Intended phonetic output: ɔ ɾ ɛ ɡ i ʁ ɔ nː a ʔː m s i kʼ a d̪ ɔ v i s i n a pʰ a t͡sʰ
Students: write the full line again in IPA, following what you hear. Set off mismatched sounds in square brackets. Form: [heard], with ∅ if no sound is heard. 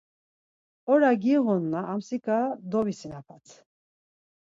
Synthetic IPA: ɔ ɾ [a] ɡ i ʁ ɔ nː a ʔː m s i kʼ a d̪ ɔ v i s i n a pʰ a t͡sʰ